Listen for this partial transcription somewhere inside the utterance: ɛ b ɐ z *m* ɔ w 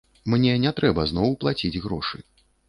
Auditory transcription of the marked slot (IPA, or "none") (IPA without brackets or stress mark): n